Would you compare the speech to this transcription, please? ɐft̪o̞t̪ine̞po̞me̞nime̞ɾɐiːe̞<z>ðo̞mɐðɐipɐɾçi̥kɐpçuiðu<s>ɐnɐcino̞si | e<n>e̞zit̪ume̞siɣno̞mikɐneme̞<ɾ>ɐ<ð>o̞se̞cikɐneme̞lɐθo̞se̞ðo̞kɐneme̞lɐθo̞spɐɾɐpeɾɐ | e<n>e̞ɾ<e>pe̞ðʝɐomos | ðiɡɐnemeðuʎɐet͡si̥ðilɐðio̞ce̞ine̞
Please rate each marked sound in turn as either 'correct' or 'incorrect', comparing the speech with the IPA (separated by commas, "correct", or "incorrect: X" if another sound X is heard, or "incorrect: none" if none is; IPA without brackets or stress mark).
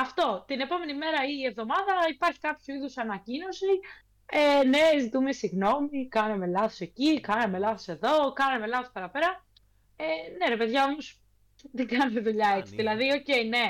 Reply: incorrect: v, correct, correct, incorrect: l, incorrect: θ, correct, correct